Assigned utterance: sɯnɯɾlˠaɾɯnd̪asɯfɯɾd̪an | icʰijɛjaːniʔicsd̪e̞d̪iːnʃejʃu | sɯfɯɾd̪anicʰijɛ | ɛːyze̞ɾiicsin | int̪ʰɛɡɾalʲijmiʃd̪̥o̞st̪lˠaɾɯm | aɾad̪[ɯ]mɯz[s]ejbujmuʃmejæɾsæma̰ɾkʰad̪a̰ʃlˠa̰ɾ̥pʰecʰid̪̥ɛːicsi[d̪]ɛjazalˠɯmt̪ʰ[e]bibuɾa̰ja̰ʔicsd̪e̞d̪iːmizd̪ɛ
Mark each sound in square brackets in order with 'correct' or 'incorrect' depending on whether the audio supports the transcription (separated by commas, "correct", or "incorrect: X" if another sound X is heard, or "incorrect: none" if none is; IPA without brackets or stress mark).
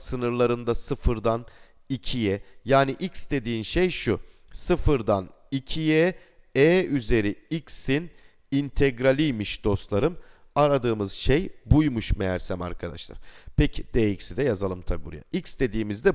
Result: incorrect: ɯː, incorrect: ʃ, correct, incorrect: a